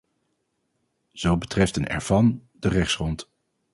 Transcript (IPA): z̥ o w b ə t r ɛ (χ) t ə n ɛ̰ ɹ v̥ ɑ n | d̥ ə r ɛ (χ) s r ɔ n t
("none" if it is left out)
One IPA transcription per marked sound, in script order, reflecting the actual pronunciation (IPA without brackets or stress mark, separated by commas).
f, χ